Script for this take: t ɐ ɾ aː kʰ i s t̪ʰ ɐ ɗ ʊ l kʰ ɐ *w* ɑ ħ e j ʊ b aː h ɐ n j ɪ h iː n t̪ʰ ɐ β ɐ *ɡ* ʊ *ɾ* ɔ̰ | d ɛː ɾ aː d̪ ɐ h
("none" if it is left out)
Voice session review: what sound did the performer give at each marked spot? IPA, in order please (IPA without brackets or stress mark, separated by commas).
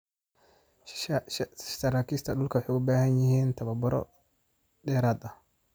w, b, ɾ